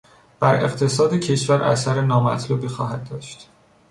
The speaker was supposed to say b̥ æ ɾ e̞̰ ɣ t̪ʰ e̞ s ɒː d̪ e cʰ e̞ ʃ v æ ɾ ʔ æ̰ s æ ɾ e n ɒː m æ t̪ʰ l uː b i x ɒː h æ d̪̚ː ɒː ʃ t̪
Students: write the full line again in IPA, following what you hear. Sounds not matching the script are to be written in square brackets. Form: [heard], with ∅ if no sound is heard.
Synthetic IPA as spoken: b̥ æ ɾ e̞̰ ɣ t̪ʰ e̞ s ɒː d̪ e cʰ e̞ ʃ v æ ɾ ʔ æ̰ s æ ɾ e n ɒː m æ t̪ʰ l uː b i x ɒː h æ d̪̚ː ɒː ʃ t̪